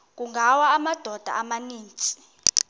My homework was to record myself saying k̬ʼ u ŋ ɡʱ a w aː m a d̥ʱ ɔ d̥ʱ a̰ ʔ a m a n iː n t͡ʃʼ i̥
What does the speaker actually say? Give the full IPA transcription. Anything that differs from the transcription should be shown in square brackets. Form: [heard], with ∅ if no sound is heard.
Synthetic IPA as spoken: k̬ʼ u ŋ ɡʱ a w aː m a d̥ʱ ɔ d̥ʱ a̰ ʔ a m a n iː n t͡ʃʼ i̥